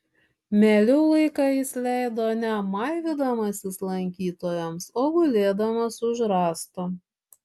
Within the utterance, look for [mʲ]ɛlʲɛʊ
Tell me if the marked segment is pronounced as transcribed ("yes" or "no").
yes